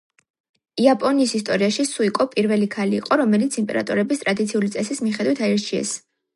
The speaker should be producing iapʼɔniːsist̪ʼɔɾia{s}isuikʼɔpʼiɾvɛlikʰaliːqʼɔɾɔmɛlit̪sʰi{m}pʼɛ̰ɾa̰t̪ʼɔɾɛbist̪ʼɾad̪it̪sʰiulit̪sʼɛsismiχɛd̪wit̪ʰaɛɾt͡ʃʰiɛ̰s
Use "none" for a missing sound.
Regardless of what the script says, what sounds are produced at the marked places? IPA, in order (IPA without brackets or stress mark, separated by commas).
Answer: ʃ, m